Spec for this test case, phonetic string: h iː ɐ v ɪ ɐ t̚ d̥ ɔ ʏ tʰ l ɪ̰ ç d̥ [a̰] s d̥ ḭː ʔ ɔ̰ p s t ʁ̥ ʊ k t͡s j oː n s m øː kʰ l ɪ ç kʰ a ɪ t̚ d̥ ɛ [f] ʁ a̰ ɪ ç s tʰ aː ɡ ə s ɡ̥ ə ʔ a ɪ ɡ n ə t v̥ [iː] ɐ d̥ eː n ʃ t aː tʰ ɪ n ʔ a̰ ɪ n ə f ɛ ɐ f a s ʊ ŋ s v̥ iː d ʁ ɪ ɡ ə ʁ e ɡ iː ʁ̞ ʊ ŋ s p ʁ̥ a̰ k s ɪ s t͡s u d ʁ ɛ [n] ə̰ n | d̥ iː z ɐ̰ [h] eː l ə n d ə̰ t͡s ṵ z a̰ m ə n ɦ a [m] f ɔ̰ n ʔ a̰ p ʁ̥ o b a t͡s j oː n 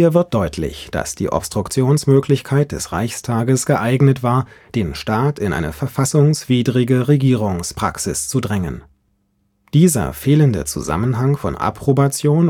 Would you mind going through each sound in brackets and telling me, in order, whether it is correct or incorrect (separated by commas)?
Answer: correct, incorrect, incorrect, incorrect, incorrect, incorrect